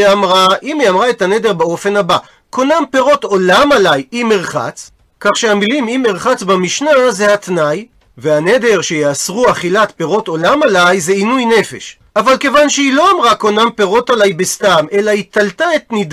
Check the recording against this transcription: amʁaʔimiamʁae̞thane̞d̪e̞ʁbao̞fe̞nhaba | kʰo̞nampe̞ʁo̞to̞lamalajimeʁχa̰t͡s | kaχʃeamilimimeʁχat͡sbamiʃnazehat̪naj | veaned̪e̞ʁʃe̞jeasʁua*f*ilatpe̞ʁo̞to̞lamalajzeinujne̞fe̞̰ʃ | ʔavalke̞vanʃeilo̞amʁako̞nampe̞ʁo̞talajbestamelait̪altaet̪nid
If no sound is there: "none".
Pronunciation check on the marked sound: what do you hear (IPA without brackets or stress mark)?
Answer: χ